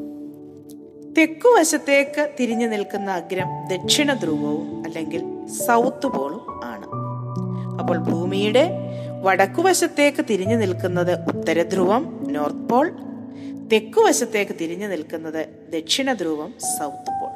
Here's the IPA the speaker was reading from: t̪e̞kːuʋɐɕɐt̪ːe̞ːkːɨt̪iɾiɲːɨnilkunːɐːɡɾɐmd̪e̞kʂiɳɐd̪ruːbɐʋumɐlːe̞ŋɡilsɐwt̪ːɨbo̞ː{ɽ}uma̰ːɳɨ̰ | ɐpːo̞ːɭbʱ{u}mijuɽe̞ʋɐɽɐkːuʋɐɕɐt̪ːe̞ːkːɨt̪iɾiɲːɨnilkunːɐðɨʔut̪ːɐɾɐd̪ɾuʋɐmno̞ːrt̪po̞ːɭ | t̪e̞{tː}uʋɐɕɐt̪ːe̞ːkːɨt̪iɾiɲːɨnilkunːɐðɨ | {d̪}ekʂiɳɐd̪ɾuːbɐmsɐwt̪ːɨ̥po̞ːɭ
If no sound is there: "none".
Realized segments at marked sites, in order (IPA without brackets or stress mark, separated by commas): ɭ, uː, kː, d̪